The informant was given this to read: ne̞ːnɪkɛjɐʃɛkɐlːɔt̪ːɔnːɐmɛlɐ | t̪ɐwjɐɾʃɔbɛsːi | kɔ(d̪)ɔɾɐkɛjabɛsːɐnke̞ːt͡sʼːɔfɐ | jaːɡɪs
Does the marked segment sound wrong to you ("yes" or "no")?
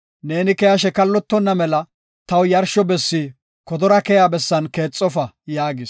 no